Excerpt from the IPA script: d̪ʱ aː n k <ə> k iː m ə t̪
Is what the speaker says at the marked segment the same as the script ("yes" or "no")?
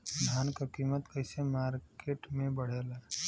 no